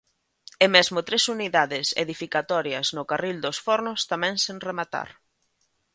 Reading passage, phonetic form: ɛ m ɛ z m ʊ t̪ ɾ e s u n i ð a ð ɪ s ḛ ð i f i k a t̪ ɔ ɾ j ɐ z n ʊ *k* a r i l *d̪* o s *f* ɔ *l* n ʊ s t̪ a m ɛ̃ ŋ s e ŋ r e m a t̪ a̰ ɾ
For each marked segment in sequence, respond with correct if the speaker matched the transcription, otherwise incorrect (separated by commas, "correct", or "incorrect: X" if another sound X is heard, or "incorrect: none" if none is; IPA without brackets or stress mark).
correct, correct, correct, incorrect: ɾ